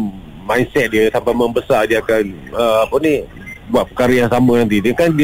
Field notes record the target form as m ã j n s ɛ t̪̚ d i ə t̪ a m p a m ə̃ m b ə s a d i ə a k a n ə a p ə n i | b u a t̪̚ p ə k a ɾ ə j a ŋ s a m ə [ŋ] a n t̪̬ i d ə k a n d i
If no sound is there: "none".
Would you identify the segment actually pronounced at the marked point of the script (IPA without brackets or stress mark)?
n